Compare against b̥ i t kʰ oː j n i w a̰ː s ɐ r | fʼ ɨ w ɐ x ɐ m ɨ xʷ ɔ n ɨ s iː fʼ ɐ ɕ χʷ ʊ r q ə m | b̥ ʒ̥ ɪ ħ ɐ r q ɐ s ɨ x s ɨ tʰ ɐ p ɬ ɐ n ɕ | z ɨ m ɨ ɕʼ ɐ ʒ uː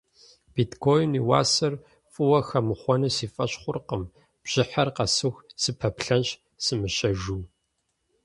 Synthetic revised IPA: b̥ i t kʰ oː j n i w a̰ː s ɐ r | fʼ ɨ w ɐ x ɐ m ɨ χʷ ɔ n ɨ s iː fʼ ɐ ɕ χʷ ʊ r q ə m | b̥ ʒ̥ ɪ ħ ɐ r q ɐ s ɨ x s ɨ pʰ ɐ p ɬ ɐ n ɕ | s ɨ m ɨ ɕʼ ɐ ʒ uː